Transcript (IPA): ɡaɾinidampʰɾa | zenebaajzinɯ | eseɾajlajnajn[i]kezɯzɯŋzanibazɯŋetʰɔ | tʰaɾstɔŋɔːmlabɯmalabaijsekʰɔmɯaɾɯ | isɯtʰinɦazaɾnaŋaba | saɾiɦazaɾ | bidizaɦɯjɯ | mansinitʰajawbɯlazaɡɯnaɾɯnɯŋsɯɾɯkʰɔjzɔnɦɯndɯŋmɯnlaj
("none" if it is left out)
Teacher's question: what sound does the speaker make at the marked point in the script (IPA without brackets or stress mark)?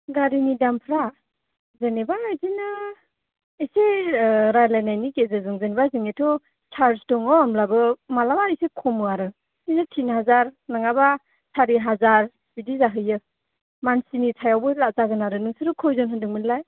i